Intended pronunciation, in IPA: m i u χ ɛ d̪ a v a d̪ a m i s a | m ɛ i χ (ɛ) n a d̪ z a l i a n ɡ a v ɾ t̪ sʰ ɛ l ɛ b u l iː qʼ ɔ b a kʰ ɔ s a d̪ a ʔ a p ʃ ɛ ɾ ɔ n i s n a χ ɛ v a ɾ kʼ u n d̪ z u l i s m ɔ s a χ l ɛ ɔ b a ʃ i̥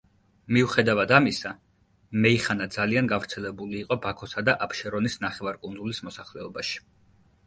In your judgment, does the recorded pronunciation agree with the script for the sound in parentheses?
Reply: no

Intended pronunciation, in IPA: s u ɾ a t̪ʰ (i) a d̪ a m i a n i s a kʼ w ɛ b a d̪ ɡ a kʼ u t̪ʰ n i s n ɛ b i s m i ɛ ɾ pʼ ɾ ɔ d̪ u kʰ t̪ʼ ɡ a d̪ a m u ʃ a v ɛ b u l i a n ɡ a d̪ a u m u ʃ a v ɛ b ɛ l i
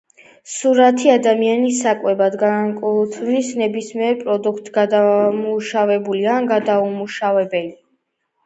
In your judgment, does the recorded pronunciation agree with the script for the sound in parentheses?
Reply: yes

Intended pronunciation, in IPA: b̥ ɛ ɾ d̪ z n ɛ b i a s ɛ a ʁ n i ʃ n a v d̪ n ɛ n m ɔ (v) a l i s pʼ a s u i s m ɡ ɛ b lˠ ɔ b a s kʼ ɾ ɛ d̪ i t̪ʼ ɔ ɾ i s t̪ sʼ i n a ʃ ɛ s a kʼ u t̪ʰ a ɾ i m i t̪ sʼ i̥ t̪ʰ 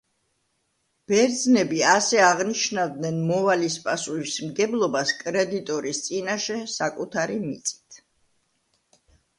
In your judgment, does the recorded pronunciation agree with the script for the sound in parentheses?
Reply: yes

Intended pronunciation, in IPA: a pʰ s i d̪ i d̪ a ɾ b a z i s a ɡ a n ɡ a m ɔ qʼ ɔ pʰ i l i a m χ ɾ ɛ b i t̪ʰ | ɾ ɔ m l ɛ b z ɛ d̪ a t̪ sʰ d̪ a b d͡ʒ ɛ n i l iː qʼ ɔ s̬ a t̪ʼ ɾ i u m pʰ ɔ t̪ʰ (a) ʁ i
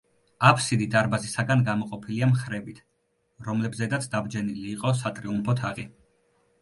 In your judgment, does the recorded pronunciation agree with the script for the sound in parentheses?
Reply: yes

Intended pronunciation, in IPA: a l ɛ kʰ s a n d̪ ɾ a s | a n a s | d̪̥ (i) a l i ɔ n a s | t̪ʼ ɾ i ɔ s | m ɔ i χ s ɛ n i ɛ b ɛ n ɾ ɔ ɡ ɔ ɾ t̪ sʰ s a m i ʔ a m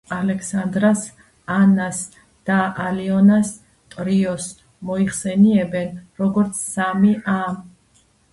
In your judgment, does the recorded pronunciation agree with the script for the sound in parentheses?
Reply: no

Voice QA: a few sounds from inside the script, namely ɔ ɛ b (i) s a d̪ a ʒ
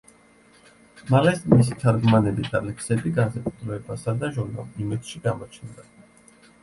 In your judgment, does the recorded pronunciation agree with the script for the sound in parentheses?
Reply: no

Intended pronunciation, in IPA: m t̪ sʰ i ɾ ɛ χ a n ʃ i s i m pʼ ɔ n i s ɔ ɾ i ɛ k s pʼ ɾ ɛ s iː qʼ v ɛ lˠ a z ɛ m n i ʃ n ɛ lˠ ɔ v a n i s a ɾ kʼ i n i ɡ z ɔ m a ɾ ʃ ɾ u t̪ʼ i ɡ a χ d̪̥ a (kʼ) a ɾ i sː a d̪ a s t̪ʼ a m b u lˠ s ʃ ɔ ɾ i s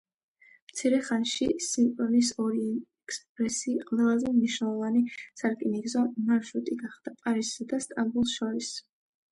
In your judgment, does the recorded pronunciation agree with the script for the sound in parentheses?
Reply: no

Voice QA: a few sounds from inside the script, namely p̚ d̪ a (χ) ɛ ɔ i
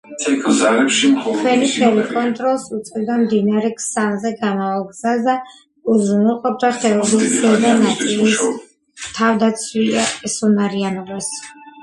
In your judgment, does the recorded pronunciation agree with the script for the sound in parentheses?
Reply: yes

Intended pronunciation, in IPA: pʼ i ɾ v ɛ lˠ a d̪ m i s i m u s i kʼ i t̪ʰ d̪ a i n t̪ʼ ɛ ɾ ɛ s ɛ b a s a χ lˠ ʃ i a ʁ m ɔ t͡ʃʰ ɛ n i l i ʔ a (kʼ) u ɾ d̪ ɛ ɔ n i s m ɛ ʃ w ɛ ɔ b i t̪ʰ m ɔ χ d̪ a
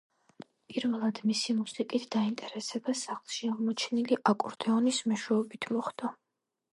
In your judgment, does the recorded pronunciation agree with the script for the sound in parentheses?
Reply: yes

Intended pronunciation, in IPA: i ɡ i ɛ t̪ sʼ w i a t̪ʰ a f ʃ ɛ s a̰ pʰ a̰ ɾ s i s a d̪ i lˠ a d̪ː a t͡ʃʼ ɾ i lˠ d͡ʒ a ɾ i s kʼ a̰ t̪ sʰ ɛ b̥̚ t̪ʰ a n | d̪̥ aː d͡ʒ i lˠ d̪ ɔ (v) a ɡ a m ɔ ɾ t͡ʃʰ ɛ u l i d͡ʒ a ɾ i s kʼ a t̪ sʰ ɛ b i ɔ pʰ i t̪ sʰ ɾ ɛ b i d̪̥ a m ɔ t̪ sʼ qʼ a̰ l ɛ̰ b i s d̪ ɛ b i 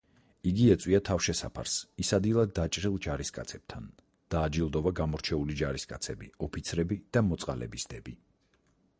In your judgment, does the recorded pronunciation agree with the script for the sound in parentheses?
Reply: yes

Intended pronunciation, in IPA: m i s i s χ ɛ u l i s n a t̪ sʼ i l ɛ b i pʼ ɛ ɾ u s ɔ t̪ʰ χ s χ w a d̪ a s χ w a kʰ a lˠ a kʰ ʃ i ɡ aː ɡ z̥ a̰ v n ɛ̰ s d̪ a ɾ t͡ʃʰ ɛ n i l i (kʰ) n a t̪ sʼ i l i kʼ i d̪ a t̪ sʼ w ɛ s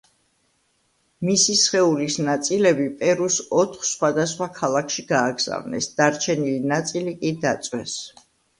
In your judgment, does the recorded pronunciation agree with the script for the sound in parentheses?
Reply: no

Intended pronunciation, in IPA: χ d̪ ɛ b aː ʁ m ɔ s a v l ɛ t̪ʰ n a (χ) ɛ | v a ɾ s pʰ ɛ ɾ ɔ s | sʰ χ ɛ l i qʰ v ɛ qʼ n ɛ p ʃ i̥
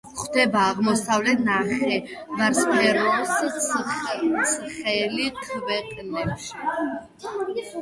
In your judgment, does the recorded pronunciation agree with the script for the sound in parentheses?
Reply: yes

